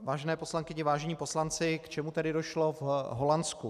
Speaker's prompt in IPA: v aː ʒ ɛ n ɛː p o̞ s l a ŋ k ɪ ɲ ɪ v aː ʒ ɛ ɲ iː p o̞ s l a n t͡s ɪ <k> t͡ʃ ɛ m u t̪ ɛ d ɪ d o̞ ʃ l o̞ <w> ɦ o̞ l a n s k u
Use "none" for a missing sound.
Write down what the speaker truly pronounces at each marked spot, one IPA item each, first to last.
k, v

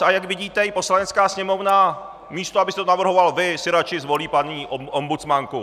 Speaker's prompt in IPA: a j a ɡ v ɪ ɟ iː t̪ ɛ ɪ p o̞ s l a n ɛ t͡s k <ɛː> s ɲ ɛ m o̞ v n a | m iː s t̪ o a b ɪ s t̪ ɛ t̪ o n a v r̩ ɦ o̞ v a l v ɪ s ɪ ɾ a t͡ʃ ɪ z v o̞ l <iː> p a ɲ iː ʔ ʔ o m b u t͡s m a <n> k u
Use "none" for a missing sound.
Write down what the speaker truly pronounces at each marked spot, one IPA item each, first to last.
aː, iː, ŋ

